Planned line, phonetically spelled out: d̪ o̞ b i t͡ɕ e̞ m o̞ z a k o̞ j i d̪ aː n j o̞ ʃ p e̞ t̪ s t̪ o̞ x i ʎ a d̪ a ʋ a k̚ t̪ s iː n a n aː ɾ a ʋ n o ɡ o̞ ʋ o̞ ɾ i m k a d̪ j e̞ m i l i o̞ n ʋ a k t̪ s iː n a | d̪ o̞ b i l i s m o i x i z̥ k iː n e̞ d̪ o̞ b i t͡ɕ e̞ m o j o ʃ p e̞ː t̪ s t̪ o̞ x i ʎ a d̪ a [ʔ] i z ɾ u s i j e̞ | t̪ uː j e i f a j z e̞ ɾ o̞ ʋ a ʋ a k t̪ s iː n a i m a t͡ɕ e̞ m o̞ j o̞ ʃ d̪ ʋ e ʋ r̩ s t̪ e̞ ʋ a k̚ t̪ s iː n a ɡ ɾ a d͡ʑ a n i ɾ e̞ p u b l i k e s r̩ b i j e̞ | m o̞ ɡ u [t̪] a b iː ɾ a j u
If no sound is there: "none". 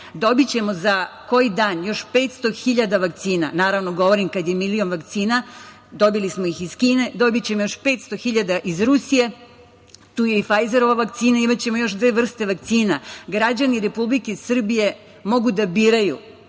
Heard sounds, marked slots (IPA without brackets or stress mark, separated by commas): ʔ, d̪